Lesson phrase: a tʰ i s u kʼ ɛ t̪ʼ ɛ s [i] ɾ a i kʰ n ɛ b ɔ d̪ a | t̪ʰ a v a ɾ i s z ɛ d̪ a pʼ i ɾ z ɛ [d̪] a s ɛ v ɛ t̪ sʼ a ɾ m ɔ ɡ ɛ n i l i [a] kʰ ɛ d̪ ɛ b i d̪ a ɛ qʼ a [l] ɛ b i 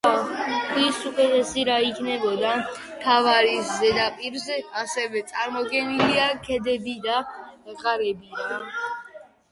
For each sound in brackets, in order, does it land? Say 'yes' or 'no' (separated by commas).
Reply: yes, no, yes, no